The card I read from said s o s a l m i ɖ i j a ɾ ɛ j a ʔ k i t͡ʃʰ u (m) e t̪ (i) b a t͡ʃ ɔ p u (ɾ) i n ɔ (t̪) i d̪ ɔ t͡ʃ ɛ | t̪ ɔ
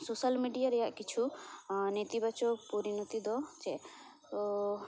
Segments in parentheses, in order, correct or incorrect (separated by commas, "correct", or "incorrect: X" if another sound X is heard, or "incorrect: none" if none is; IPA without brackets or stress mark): incorrect: n, correct, correct, correct